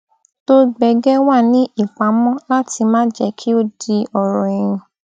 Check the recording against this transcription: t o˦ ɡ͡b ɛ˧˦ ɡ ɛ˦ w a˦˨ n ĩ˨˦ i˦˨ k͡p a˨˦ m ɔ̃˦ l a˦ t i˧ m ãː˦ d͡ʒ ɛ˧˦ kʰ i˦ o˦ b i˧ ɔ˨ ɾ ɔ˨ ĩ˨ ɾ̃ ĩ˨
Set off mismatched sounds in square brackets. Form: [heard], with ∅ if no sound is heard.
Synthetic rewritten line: t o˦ ɡ͡b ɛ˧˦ ɡ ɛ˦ w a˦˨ n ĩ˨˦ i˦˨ k͡p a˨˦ m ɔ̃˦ l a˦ t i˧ m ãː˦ d͡ʒ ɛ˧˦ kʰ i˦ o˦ [d] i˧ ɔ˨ ɾ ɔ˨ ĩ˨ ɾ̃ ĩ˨

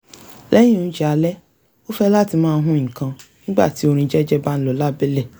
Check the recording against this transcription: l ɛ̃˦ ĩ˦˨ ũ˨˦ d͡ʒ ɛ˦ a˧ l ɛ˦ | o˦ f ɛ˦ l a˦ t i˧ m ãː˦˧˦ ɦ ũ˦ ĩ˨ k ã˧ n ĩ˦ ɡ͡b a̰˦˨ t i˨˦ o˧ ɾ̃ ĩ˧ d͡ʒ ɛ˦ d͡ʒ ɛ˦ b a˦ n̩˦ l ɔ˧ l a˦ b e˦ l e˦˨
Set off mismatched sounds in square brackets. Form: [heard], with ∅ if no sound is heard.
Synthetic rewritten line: l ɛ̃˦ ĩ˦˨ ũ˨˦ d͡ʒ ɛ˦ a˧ l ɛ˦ | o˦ f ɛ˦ l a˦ t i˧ m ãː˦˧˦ ɦ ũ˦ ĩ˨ k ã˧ n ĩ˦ ɡ͡b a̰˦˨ t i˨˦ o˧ ɾ̃ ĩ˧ d͡ʒ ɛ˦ d͡ʒ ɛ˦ b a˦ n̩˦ l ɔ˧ l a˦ b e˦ l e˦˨

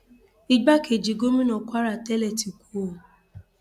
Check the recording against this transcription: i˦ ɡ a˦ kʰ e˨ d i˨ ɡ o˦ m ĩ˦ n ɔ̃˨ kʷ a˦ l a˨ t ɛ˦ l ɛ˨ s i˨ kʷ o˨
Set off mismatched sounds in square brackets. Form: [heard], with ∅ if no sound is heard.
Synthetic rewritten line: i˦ [ɡ͡b] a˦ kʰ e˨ [d͡ʒ] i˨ ɡ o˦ m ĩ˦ n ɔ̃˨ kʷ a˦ [ɾ] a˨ t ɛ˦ l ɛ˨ [t] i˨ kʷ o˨

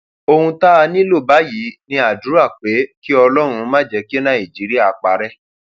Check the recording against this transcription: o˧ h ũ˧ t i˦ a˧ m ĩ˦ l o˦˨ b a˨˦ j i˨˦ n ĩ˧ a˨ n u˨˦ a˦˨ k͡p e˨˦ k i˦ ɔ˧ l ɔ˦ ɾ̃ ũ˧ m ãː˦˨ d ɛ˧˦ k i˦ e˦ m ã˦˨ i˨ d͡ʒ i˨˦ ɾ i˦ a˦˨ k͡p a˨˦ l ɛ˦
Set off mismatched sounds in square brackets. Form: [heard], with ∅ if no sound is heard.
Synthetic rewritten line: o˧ h ũ˧ t [a˦] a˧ [n] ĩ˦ l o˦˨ b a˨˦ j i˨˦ n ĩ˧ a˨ [d] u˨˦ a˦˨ k͡p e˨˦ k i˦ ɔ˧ l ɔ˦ ɾ̃ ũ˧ m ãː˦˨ [d͡ʒ] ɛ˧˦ k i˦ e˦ [n] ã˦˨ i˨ d͡ʒ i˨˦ ɾ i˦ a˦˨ k͡p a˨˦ [ɾ] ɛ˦

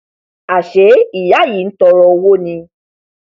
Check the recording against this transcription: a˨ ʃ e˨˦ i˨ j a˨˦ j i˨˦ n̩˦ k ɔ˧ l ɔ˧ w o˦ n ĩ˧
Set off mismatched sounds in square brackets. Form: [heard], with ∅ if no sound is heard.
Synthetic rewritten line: a˨ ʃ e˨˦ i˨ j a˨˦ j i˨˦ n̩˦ [t] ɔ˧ [ɾ] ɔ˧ w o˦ n ĩ˧

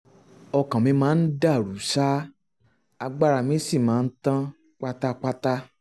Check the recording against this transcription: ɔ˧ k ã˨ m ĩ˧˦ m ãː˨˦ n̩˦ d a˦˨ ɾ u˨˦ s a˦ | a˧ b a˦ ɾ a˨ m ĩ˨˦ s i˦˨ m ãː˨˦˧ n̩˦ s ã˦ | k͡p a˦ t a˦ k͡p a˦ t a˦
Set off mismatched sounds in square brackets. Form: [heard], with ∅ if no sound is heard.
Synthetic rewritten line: ɔ˧ k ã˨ m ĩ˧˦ m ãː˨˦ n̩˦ d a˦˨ ɾ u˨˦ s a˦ | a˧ [ɡ͡b] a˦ ɾ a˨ m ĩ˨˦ s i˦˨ m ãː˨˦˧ n̩˦ [t] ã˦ | k͡p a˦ t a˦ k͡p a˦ t a˦

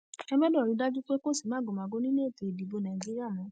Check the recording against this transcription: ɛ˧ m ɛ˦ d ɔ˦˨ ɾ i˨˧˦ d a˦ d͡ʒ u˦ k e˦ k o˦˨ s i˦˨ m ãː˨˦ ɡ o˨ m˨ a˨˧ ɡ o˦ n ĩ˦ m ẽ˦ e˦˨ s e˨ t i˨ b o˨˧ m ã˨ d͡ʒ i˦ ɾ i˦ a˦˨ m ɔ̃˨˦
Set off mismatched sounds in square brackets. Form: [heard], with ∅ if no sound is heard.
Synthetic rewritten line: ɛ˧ m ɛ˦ d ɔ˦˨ ɾ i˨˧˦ d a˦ d͡ʒ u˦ [k͡p] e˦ k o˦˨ s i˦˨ m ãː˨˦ ɡ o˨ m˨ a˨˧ ɡ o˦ n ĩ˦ [n] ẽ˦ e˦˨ [t] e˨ [d] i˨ b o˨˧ [n] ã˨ d͡ʒ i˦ ɾ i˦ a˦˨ m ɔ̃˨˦

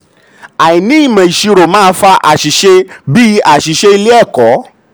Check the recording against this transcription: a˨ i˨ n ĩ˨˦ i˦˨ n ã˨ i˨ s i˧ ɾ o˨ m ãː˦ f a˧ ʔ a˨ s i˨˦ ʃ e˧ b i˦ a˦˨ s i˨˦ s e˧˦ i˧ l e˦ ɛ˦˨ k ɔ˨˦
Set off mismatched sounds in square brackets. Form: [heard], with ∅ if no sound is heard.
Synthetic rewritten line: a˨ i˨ n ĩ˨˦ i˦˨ [m] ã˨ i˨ [ʃ] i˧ ɾ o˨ m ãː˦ f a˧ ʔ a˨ [ʃ] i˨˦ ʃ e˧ b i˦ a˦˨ [ʃ] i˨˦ [ʃ] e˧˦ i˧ l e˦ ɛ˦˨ k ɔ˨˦

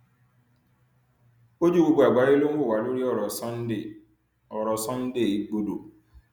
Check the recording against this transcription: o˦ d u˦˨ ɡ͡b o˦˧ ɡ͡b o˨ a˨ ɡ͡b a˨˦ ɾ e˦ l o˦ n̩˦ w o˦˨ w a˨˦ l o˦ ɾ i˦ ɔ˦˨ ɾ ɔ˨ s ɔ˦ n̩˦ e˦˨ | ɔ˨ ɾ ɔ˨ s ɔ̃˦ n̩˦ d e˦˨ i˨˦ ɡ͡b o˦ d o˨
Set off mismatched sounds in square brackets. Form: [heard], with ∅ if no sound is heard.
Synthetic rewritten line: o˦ [d͡ʒ] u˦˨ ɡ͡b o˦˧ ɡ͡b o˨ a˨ ɡ͡b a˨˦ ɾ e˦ l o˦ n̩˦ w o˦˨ w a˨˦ l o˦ ɾ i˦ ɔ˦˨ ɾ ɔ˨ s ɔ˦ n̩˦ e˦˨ | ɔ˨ ɾ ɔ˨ s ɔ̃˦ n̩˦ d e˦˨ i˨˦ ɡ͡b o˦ d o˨

